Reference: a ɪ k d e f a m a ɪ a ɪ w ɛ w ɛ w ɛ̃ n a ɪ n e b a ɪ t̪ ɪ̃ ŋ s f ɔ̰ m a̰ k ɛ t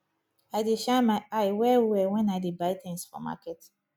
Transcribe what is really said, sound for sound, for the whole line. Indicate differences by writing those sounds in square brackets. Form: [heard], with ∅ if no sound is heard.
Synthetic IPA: a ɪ [∅] d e [ʃ] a m a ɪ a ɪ w ɛ w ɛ w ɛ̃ n a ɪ [d] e b a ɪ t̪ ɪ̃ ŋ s f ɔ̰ m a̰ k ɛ t